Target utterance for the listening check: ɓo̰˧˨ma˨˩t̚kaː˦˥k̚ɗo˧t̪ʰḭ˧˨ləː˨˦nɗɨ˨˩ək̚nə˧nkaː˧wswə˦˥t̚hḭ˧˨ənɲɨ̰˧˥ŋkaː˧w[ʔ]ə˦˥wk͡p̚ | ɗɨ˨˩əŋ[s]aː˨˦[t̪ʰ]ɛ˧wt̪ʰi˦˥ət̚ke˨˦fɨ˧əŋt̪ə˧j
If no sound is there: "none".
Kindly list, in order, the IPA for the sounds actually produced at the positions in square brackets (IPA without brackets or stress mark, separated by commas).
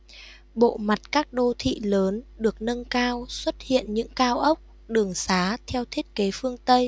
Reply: ʔ, s, t̪ʰ